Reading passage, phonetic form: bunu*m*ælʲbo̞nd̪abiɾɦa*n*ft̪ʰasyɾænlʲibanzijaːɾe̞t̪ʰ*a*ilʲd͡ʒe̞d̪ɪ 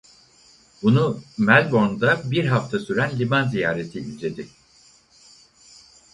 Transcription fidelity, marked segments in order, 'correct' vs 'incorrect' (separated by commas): correct, incorrect, incorrect